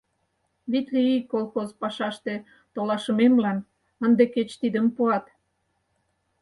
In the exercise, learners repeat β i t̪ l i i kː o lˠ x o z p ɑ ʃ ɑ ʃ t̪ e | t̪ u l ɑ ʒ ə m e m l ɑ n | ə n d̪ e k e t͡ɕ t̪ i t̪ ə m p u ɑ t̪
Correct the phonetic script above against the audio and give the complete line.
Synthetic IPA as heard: β i t̪ l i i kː o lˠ x o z p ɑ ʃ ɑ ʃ t̪ e | t̪ o l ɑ ʃ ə m e m l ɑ n | ə n d̪ e k e t͡ɕ t̪ i d̪ ə m p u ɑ t̪

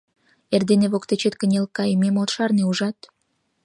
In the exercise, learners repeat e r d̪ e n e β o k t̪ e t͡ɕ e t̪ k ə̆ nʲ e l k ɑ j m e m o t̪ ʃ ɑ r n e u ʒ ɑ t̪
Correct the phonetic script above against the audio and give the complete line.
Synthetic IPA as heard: e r d̪ e n e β o k t̪ e t͡ɕ e t̪ k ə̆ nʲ e l k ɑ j m e m o t̪ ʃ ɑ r n e u ʒ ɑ t̪

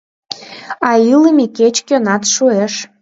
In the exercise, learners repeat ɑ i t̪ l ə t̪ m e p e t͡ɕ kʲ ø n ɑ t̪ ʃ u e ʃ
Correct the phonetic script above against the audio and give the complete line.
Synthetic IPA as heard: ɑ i l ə m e k e t͡ɕ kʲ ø n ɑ t̪ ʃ u e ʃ

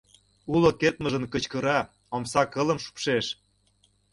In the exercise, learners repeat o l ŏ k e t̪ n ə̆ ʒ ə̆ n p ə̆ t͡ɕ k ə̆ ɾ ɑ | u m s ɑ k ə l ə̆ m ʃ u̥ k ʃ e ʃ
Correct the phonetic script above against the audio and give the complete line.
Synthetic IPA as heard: u l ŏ k e t̪ m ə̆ ʒ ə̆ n k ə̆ t͡ɕ k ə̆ ɾ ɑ | o m s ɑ k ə l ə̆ m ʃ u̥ p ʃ e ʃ

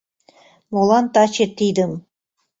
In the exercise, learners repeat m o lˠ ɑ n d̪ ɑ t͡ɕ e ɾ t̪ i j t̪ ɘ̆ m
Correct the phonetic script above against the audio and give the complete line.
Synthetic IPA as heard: m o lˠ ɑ n t̪ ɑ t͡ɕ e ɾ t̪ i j d̪ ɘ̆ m

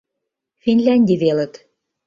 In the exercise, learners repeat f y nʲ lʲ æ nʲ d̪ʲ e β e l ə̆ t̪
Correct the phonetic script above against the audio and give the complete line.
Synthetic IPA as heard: f i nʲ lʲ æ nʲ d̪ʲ i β e l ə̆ t̪

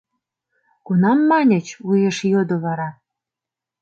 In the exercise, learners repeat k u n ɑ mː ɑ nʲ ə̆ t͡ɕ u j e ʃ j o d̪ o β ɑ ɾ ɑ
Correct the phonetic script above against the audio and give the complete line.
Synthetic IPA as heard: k u n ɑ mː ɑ nʲ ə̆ t͡ɕ u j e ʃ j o d̪ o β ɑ ɾ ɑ

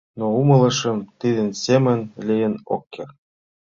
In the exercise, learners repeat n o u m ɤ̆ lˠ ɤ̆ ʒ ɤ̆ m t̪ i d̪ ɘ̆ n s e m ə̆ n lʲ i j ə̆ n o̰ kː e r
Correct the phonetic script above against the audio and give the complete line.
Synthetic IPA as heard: n o u m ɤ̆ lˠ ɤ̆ ʃ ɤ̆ m t̪ i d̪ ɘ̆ n s e m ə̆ n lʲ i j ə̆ n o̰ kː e r

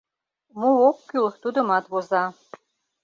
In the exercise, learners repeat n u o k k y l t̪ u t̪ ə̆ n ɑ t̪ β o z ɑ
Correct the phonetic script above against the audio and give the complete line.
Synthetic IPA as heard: m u o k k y l t̪ u d̪ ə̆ m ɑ t̪ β o z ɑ

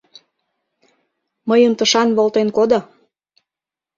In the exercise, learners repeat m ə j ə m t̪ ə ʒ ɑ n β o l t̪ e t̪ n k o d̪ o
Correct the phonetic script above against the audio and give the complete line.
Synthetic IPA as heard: m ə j ə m t̪ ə ʃ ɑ n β o l t̪ e n k o d̪ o

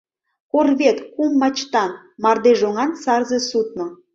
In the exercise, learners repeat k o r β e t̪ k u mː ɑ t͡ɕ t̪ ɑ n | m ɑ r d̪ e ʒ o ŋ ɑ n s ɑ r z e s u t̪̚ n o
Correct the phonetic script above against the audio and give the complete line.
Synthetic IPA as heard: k o r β e t̪ k u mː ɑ t͡ɕ t̪ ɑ n | m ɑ r d̪ e ʒ o ŋ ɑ n s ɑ r z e s u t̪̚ n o

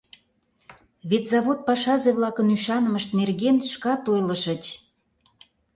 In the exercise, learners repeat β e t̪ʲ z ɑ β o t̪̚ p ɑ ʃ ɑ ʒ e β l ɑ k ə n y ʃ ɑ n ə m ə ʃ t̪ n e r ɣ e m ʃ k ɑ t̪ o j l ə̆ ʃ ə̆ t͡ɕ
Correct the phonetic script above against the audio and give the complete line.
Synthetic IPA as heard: β e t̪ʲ z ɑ β o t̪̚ p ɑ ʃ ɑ z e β l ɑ k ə n y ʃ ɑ n ə m ə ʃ t̪ n e r ɣ e n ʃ k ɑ t̪ o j l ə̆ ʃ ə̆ t͡ɕ

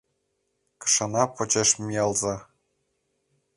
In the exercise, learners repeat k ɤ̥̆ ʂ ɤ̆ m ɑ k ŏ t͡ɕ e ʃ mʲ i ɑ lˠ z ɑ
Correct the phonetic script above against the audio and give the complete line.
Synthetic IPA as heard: k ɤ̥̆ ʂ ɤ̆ n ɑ p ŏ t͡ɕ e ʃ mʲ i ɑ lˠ z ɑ

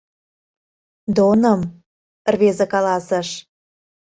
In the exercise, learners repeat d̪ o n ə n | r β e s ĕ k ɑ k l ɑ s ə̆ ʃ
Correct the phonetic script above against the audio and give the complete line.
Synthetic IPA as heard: d̪ o n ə m | r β e z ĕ k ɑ l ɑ s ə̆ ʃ

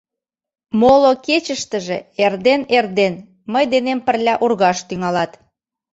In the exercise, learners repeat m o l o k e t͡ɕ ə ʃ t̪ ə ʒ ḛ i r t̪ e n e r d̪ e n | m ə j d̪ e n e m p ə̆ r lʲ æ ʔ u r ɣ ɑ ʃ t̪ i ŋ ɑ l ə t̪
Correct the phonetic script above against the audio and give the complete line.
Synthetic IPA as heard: m o l o k e t͡ɕ ə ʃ t̪ ə ʒ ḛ e r d̪ e n e r d̪ e n | m ə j d̪ e n e m p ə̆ r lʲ æ ʔ u r ɣ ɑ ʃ t̪ y ŋ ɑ l ɑ t̪

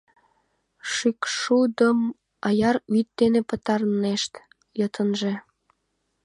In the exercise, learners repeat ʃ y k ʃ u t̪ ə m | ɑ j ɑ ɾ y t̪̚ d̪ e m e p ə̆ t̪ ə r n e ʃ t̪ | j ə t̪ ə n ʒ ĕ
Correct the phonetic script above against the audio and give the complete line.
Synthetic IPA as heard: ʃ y k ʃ u d̪ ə m | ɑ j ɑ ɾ y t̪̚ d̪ e n e p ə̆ t̪ ɑ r n e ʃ t̪ | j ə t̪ ə n ʒ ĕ

